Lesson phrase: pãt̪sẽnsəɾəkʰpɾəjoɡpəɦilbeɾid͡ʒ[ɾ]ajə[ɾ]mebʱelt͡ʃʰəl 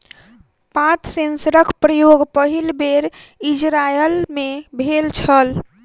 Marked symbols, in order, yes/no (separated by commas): yes, no